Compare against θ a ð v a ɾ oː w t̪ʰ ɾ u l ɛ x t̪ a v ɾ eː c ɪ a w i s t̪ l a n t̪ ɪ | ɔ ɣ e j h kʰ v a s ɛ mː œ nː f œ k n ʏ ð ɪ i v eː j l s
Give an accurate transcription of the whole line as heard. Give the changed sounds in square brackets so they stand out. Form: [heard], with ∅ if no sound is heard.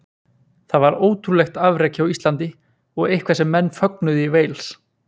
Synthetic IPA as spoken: θ a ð v a ɾ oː w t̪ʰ ɾ u l ɛ x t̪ a v ɾ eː c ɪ a w i s t̪ l a n t̪ ɪ | ɔ ɣ e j h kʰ v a s ɛ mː [ɛ] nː f œ k n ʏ ð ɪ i v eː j l s

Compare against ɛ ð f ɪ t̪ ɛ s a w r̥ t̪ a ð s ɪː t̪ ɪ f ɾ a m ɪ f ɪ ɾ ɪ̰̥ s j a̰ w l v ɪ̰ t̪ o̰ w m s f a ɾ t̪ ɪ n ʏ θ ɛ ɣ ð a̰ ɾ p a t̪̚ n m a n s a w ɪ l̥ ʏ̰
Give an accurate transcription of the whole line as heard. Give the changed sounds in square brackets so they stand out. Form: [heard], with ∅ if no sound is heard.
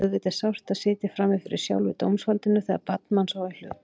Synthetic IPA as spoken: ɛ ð [v] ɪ t̪ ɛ s a w r̥ t̪ a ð s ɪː t̪ ɪ f ɾ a m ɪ f ɪ ɾ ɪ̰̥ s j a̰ w l v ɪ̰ t̪ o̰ w m s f a [l] t̪ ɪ n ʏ θ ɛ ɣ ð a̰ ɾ p a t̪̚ n m a n s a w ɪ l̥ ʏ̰

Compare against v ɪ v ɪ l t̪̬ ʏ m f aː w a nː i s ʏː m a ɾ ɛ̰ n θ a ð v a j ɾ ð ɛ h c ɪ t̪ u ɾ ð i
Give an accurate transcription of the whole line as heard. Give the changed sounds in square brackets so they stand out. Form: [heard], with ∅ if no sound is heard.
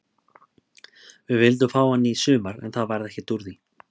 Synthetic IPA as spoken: v ɪ v ɪ l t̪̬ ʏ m f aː w a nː i s ʏː m a ɾ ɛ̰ n θ a ð v a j ɾ ð ɛ h c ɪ t̪ u ɾ ð i

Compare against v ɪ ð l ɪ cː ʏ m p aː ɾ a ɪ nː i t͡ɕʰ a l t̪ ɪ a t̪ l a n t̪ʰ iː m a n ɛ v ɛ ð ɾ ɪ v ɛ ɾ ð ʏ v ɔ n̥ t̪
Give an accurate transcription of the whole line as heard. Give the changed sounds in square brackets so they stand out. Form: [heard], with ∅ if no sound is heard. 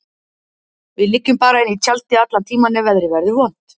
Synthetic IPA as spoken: v ɪ ð l ɪ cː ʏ m p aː ɾ a ɪ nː i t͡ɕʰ a l t̪ ɪ a t̪ l a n t̪ʰ iː m a n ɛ v ɛ ð ɾ ɪ v ɛ ɾ ð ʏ v ɔ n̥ t̪

